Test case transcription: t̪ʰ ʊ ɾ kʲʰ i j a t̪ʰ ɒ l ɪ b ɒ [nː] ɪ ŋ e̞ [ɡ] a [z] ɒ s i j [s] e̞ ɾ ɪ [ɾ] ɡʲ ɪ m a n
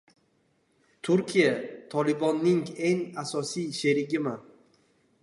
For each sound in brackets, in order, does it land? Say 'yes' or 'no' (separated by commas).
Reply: yes, no, no, no, no